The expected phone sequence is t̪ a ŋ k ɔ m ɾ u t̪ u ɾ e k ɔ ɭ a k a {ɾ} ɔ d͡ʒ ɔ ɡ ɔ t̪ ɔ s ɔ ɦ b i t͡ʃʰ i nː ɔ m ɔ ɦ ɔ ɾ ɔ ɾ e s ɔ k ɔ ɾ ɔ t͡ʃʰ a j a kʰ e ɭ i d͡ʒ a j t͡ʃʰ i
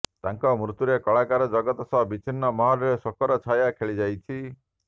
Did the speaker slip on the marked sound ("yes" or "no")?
no